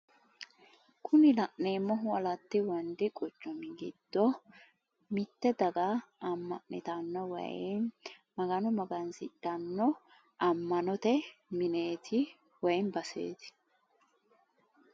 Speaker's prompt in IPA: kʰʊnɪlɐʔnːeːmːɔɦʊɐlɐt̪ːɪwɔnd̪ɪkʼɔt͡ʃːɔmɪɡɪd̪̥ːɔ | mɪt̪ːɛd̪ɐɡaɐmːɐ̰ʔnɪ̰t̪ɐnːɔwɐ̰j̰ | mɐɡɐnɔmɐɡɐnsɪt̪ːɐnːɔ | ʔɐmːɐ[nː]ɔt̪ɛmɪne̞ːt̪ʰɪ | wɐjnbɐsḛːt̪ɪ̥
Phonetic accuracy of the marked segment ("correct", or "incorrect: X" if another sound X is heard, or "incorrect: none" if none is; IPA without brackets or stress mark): incorrect: n